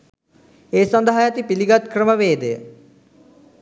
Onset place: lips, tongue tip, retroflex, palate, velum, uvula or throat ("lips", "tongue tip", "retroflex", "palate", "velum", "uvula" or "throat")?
tongue tip